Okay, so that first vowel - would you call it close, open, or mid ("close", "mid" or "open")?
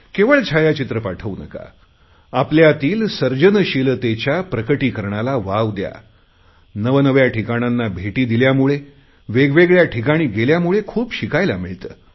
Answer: mid